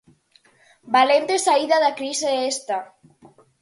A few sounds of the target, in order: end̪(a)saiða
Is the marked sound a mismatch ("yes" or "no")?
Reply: yes